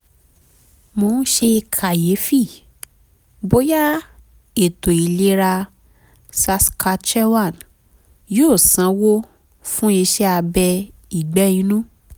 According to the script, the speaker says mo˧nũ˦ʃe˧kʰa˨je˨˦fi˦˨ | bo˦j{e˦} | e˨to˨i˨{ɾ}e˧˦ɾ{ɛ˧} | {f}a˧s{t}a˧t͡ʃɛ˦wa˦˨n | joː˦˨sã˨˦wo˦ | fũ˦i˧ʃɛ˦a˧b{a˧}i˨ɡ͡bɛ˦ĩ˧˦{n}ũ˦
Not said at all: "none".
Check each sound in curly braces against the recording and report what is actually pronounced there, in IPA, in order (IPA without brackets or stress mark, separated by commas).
a˦, l, a˧, s, k, ɛ˧, n